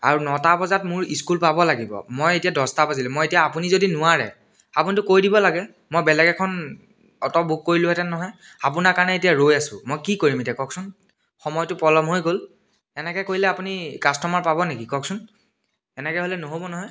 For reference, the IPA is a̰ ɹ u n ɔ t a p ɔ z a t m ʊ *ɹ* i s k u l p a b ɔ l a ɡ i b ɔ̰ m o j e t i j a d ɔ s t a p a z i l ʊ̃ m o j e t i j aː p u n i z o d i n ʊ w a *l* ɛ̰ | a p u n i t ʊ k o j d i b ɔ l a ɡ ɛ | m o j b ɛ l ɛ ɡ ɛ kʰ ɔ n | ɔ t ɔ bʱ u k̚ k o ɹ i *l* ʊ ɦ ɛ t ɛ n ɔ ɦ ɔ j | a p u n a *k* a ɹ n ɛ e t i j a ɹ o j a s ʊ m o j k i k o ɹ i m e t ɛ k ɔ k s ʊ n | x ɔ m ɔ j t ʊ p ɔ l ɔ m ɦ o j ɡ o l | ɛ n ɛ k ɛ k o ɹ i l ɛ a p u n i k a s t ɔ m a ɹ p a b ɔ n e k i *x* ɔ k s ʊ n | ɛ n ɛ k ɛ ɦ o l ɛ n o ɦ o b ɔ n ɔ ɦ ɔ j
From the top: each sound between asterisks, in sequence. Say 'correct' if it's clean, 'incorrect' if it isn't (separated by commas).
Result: correct, incorrect, correct, correct, incorrect